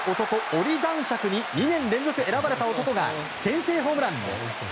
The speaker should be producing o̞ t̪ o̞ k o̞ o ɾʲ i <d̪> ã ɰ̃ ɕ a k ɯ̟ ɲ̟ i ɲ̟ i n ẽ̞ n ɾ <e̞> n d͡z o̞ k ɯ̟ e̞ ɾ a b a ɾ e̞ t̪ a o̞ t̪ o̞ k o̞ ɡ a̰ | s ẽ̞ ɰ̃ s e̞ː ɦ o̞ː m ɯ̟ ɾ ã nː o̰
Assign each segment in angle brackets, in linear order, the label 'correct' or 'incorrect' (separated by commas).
correct, incorrect